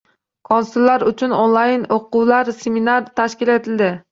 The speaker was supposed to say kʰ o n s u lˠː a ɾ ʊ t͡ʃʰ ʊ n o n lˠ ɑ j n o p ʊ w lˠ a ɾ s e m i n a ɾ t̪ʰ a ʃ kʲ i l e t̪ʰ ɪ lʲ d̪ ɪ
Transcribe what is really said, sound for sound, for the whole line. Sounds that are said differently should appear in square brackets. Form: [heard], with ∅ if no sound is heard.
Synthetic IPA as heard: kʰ o n s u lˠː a ɾ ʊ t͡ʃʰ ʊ n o n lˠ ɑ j n o [q] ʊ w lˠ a ɾ s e m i n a ɾ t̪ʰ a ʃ kʲ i l e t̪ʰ ɪ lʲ d̪ ɪ